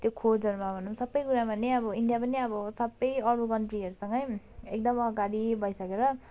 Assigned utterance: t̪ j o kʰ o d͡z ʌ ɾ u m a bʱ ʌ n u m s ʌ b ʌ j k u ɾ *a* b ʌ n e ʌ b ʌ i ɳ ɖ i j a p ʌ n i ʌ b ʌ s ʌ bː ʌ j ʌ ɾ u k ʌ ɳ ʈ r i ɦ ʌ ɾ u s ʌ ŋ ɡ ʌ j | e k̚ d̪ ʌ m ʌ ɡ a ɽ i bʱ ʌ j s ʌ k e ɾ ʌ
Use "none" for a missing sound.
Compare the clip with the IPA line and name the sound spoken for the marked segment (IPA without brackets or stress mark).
a